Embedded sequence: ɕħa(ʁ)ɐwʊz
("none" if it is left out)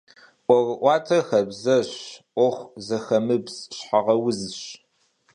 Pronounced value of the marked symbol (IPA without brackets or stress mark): ʁ